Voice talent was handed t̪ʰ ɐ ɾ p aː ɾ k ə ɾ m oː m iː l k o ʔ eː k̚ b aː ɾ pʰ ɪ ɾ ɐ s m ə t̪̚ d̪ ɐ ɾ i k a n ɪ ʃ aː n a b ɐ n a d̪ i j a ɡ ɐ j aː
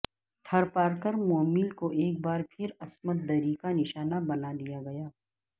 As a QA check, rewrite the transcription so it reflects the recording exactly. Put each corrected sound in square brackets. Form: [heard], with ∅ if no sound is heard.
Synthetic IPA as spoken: t̪ʰ ɐ ɾ p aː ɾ k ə ɾ m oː m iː l k o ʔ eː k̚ b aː ɾ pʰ ɪ ɾ ɐ s m ə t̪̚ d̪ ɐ ɾ i k a n ɪ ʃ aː n a b ɐ n a d̪ i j a ɡ ɐ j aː